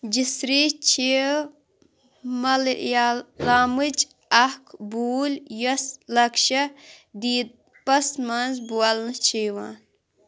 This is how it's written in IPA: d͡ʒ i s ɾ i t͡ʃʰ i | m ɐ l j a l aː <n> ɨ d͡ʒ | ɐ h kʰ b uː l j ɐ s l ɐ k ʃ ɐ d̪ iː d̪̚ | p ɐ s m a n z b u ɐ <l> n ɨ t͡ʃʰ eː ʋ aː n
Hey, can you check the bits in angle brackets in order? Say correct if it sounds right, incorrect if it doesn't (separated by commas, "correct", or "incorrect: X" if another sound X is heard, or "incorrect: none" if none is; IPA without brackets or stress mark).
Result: incorrect: m, correct